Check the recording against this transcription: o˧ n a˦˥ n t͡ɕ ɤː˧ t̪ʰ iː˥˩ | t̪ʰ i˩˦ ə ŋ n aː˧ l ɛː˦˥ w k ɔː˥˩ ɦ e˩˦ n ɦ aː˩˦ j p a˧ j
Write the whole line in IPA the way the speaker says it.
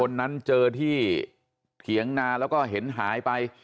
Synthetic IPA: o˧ nː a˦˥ n t͡ɕ ɤː˧ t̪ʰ iː˥˩ | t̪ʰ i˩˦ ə ŋ n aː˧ l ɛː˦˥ w k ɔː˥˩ ɦ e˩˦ n ɦ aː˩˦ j p a˧ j